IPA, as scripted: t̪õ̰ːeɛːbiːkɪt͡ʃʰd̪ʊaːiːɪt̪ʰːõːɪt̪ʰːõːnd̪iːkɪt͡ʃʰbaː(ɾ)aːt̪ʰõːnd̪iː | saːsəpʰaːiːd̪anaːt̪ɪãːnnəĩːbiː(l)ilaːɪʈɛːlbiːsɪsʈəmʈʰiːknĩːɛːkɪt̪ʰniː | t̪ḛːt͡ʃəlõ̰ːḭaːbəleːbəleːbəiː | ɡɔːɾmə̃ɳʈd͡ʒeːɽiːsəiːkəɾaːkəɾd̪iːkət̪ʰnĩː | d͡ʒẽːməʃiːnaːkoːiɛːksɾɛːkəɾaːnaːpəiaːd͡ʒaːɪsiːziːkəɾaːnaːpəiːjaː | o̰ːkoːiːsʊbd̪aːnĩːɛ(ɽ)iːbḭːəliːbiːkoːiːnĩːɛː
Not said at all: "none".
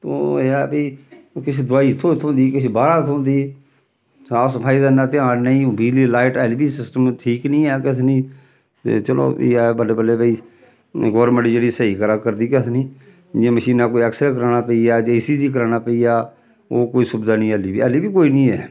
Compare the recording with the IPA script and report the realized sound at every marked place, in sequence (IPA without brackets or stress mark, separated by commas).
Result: ɾ, l, l